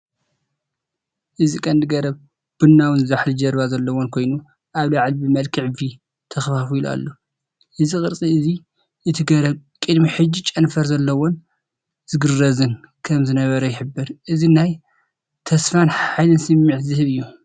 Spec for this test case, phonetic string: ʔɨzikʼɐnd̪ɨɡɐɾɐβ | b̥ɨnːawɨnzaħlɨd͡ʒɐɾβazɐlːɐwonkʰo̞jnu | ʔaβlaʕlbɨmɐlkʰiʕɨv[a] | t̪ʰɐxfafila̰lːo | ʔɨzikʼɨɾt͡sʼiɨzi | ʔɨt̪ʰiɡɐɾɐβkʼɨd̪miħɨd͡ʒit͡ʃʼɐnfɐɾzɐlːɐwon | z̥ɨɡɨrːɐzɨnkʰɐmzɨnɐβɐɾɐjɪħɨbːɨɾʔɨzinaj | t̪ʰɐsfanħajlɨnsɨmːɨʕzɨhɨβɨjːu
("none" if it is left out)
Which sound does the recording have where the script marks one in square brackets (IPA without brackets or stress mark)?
i